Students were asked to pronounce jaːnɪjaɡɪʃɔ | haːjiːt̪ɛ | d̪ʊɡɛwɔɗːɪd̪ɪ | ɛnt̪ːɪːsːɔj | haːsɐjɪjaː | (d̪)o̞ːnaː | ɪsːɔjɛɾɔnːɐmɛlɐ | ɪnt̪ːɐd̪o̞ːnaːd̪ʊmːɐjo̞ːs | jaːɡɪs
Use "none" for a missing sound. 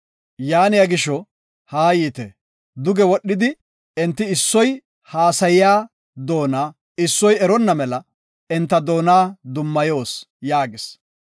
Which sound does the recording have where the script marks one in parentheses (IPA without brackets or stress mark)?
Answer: d̪